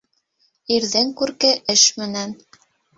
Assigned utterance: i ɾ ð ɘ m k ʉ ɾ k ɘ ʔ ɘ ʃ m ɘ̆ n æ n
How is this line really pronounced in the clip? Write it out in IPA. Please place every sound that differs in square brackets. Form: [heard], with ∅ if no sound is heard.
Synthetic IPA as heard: i ɾ ð ɘ [ŋ] k ʉ ɾ k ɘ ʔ ɘ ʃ m ɘ̆ n æ n